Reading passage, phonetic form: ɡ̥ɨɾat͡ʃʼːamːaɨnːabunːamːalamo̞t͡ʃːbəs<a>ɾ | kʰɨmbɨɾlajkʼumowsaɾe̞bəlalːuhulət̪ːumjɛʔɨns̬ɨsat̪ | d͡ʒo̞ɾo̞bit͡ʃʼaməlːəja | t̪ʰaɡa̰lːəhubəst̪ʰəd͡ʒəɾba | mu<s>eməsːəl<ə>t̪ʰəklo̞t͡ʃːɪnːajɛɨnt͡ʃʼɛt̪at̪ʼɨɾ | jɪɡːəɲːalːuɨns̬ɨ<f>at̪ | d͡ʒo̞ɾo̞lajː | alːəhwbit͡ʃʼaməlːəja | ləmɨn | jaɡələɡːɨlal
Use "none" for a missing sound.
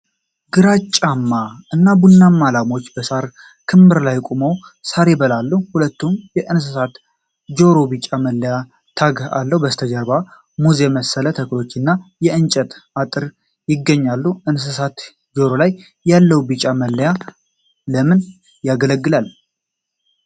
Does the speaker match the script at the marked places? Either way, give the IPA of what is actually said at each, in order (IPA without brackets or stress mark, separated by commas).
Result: a, z, ə, s